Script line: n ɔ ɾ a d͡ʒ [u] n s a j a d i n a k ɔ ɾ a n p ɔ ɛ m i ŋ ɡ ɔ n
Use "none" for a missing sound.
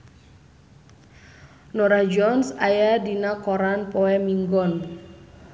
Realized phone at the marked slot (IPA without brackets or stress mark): ɔ